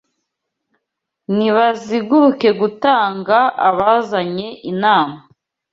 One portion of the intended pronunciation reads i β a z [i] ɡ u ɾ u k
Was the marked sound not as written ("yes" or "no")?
no